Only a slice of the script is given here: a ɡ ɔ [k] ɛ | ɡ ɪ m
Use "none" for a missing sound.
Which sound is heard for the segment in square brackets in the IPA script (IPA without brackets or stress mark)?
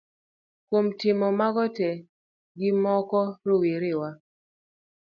t